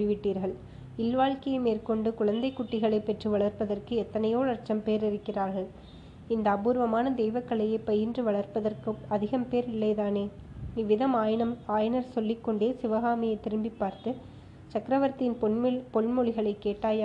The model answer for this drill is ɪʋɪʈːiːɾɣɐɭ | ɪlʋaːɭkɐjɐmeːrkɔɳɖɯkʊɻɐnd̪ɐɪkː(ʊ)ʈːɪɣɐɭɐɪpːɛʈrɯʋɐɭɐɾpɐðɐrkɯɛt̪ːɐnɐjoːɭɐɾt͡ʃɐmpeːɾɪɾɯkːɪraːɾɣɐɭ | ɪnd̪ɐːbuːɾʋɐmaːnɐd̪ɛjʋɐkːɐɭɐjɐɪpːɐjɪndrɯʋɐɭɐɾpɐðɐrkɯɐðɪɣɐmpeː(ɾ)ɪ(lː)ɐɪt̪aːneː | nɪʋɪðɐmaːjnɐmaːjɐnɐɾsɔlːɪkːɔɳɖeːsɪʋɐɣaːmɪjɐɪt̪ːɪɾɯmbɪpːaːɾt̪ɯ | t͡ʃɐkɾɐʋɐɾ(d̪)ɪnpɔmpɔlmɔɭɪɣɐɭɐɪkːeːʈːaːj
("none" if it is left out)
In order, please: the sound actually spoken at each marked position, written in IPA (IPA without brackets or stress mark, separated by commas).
ʊ, ɾ, lː, t̪